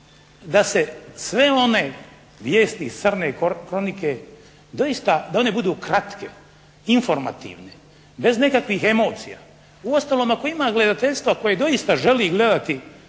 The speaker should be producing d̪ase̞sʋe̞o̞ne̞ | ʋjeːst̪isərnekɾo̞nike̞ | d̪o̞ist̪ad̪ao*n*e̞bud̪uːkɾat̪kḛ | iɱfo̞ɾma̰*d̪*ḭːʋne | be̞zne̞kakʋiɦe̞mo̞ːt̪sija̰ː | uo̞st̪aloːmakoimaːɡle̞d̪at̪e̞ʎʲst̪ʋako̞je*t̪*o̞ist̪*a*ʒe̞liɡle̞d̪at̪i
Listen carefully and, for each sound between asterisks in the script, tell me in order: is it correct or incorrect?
correct, incorrect: t̪, incorrect: d̪, correct

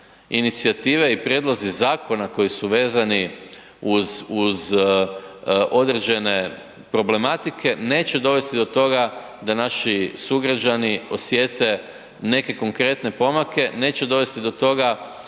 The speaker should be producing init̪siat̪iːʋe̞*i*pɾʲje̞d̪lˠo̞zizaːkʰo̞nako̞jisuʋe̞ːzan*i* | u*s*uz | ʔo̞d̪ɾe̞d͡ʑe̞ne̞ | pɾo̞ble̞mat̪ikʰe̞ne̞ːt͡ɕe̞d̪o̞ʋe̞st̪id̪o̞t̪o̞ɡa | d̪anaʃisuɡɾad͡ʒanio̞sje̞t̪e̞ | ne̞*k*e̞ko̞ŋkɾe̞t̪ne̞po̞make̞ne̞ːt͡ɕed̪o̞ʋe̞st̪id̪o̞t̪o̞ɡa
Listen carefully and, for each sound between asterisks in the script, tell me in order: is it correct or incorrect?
correct, correct, incorrect: z, correct

